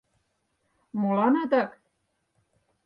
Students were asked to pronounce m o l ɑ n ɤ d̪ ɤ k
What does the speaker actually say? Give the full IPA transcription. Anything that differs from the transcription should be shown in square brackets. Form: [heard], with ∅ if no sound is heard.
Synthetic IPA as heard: m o l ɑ n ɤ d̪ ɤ k